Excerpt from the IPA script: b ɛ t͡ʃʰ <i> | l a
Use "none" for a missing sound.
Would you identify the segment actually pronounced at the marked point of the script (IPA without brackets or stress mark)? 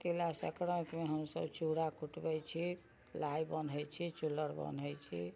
i